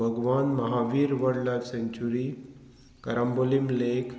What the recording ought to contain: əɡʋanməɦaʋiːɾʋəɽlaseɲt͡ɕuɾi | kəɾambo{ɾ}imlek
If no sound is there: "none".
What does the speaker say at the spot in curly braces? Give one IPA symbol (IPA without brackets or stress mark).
l